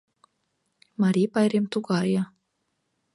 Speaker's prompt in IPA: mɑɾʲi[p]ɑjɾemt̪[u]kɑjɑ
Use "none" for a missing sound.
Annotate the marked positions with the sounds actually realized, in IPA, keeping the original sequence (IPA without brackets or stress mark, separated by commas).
p, u